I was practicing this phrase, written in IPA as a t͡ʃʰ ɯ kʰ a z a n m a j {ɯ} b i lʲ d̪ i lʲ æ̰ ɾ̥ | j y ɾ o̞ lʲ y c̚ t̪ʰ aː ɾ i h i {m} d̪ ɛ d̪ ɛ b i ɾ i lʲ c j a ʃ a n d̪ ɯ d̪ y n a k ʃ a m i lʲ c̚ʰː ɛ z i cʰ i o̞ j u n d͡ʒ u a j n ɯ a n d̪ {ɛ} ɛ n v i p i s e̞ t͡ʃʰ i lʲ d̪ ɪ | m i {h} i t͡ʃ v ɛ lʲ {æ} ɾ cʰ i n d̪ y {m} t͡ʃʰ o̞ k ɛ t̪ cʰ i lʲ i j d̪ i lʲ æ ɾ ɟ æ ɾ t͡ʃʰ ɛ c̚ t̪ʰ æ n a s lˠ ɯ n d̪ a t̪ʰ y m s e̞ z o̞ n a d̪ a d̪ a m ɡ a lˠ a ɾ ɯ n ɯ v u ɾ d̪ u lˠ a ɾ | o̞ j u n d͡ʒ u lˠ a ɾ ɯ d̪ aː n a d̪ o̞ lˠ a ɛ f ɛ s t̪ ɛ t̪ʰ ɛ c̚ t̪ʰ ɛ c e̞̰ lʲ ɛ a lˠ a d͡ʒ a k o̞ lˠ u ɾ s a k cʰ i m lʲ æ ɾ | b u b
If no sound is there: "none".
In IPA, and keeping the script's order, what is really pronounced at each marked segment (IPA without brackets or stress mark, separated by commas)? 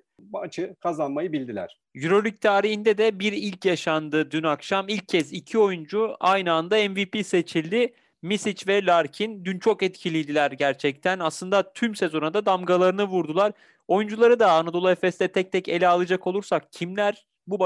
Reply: ɯ, n, a, s, a, n